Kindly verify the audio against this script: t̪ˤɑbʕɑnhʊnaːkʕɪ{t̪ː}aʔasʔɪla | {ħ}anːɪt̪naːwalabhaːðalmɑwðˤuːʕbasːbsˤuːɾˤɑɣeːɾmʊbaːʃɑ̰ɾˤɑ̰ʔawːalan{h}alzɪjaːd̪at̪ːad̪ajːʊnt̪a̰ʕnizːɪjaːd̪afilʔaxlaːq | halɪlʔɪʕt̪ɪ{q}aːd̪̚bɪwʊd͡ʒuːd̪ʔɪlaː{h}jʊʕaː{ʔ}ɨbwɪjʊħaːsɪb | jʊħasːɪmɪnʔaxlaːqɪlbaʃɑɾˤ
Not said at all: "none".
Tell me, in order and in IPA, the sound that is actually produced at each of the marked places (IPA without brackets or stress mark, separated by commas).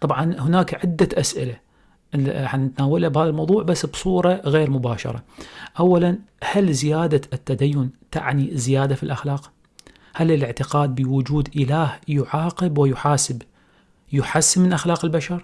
d̪ː, ħ, h, q, h, q